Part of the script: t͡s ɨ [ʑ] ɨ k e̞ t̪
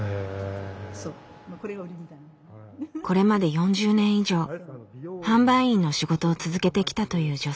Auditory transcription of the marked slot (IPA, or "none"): z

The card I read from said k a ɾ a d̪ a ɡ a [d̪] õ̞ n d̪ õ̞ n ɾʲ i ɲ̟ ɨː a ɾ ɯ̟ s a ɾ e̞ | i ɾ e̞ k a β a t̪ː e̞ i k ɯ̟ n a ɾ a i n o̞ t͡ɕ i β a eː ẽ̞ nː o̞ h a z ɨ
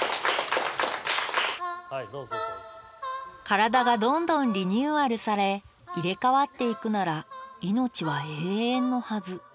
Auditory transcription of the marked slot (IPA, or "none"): d̪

